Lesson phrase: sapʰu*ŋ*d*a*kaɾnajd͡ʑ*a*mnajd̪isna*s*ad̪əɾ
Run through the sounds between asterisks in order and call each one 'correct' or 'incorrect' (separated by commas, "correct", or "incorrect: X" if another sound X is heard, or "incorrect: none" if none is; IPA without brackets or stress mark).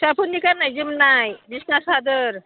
incorrect: n, incorrect: i, incorrect: i, correct